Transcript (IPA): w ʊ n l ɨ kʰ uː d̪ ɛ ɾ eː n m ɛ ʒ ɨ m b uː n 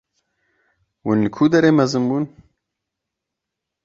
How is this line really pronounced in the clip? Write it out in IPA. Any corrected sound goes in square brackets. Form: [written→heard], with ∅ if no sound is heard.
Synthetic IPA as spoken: w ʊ n l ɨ kʰ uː d̪ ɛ ɾ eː [n→∅] m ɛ [ʒ→z] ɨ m b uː n